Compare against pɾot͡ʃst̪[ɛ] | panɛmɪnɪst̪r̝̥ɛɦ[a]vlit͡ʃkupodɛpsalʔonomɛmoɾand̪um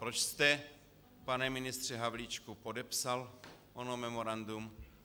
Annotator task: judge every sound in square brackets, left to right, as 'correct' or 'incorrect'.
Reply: correct, correct

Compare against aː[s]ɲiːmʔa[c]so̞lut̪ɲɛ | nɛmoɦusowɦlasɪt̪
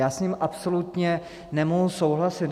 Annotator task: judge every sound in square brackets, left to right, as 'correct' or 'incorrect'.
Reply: correct, incorrect

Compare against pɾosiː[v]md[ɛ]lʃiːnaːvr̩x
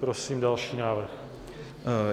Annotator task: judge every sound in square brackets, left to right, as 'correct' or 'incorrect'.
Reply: incorrect, incorrect

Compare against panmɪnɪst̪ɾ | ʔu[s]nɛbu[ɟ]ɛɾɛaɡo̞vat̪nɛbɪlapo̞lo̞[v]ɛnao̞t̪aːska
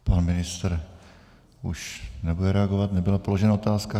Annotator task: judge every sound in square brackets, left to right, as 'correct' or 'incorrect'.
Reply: incorrect, incorrect, incorrect

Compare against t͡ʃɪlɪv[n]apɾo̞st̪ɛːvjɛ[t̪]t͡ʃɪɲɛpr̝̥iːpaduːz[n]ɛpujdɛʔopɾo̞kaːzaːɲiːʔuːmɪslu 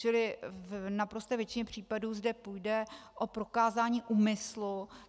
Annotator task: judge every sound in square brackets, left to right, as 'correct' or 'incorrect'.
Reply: correct, incorrect, incorrect

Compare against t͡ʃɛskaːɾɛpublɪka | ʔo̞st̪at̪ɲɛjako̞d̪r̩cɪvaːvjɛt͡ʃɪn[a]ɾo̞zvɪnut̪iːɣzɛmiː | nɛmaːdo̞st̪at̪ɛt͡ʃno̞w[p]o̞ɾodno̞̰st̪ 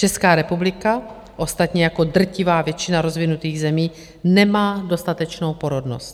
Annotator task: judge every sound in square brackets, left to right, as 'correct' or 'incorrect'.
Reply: correct, correct

